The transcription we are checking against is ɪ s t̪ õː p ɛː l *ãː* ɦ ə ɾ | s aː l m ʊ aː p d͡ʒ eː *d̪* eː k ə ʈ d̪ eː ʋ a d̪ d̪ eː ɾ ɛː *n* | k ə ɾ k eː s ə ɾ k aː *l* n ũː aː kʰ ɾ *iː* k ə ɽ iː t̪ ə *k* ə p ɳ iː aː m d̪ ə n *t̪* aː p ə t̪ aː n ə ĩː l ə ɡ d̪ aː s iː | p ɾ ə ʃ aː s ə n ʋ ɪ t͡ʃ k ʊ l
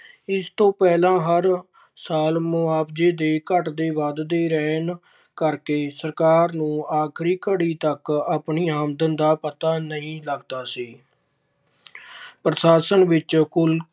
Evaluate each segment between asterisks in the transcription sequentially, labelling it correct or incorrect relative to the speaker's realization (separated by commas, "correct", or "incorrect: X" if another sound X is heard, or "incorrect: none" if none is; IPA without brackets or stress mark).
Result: correct, correct, correct, incorrect: ɾ, correct, correct, incorrect: d̪